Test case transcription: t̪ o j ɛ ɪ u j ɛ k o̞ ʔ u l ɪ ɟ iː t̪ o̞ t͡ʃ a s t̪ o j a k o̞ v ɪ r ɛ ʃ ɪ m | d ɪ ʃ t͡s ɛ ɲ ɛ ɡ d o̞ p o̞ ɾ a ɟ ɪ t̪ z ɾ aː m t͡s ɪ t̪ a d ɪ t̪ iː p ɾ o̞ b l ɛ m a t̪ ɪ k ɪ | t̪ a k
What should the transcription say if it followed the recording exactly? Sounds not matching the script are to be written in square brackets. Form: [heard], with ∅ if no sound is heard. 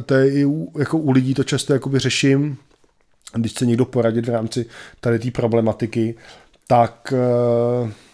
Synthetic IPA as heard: t̪ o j ɛ ɪ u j [a] k o̞ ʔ u l ɪ ɟ iː t̪ o̞ t͡ʃ a s t̪ o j a k o̞ [b] ɪ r ɛ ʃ ɪ m | d ɪ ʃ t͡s ɛ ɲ ɛ ɡ d o̞ p o̞ ɾ a ɟ ɪ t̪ [v] ɾ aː m t͡s ɪ t̪ a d ɪ t̪ iː p ɾ o̞ b l ɛ m a t̪ ɪ k ɪ | t̪ a k